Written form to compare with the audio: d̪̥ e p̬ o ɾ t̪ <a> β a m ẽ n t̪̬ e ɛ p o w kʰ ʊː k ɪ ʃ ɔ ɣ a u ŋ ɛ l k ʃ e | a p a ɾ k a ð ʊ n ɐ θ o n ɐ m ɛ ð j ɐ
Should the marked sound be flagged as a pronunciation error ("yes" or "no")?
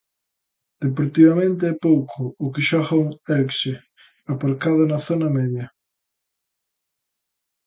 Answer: yes